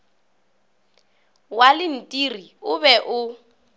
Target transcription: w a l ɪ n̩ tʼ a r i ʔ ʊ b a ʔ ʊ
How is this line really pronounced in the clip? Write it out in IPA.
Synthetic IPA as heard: w a l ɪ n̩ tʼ i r i ʊ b ɛ ʔ ʊ